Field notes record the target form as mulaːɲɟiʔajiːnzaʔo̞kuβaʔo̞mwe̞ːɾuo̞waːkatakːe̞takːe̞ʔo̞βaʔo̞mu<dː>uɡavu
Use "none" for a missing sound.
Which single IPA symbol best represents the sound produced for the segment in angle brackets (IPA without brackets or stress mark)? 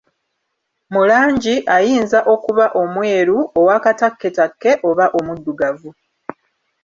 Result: dː